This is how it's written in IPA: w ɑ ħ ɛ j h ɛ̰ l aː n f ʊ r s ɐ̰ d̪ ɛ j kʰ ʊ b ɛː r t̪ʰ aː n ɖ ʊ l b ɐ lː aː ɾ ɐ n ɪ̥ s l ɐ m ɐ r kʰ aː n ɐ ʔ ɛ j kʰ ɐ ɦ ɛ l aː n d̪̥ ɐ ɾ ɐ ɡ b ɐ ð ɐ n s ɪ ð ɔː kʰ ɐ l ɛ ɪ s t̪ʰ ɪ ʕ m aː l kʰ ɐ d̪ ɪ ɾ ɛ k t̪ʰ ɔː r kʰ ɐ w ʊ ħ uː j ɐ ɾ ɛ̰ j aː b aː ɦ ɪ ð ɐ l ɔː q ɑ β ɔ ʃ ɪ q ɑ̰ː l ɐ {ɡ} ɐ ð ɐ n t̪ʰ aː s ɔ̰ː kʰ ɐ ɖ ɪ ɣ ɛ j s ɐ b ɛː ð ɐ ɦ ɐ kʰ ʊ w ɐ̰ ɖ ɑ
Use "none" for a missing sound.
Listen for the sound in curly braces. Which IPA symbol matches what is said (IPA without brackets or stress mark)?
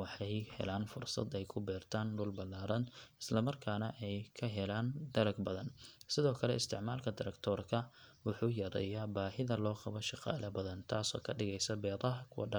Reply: b